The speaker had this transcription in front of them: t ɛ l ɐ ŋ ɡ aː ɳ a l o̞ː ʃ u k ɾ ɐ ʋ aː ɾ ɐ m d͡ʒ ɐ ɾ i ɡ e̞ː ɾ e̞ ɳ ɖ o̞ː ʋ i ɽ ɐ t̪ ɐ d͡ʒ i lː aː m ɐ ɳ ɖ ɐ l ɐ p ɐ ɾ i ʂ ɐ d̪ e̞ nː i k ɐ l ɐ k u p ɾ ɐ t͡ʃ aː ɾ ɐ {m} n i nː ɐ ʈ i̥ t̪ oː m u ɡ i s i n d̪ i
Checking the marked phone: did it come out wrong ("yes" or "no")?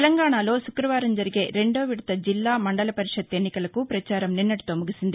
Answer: no